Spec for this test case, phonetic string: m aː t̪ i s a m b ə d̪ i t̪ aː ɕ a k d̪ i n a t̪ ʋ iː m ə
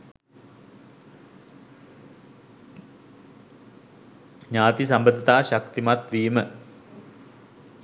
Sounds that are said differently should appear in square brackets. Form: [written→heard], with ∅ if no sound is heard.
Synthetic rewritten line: [m→ɲ] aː t̪ i s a m b ə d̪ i t̪ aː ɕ a k [d̪→t̪] i [n→m] a t̪ ʋ iː m ə